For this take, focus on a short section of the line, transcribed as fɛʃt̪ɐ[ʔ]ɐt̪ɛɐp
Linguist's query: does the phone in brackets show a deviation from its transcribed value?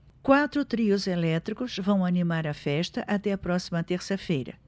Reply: no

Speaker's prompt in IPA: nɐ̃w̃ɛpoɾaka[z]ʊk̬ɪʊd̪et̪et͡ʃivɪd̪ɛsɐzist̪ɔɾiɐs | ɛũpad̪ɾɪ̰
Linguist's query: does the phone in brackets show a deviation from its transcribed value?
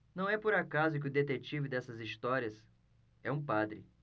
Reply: no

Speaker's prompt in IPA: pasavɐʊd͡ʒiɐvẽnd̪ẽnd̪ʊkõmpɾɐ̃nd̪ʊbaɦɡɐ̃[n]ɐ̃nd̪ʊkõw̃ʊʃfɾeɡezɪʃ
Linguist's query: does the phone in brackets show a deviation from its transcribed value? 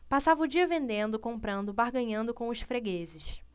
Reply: yes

